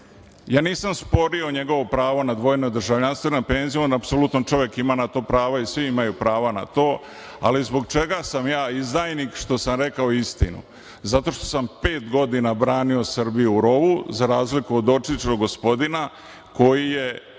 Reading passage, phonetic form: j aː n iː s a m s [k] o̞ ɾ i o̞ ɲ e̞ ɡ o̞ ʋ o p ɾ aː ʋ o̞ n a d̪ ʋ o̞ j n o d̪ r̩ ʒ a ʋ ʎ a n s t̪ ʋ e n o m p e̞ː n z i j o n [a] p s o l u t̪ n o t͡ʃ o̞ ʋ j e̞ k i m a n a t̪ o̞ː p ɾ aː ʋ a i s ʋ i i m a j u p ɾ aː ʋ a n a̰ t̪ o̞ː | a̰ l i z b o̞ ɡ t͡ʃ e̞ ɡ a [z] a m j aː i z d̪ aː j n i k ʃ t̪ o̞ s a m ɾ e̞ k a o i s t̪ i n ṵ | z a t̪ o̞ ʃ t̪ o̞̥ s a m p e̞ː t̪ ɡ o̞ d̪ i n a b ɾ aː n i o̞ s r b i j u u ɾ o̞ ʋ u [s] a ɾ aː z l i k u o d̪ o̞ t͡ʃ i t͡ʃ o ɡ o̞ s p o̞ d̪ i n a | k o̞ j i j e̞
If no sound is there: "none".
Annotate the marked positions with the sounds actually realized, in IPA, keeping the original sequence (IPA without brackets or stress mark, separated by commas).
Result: p, a, s, z